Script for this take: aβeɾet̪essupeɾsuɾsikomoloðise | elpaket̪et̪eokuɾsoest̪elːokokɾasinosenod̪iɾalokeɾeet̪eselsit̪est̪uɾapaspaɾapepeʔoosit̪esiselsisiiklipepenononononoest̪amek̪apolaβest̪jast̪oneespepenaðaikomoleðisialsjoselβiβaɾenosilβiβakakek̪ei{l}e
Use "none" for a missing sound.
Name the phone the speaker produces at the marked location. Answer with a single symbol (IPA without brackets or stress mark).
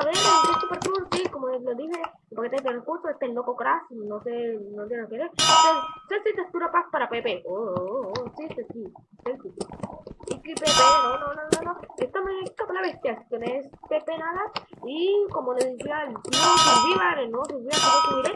ɾ